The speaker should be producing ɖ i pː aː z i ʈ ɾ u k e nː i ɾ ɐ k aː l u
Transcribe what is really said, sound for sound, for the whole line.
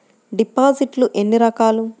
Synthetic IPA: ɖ i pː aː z i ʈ l u ʔ e nː i ɾ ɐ k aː l u